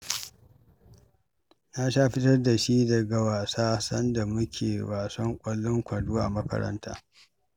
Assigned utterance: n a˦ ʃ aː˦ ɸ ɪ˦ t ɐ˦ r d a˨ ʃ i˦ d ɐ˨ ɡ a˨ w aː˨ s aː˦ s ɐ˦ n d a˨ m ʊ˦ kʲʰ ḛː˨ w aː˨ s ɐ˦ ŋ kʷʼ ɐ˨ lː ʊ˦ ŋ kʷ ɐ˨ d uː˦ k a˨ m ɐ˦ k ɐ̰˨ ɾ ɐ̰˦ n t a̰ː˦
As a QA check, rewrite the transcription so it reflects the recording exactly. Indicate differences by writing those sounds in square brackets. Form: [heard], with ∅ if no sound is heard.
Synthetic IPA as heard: n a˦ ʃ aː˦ ɸ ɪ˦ t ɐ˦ r d a˨ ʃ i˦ d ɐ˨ ɡ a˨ w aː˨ s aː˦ s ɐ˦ n d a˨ m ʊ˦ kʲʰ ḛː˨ w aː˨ s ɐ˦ ŋ kʷʼ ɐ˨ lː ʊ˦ ŋ kʷ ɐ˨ d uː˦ [ʔ] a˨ m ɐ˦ k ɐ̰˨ ɾ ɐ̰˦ n t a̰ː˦